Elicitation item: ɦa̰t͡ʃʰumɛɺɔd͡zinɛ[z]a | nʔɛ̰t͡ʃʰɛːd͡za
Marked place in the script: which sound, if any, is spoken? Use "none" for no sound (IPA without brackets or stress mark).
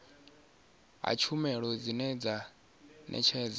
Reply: d͡z